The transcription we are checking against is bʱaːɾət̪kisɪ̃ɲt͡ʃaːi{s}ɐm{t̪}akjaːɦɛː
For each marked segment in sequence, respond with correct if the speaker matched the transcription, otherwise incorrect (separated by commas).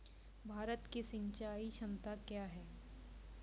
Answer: incorrect, correct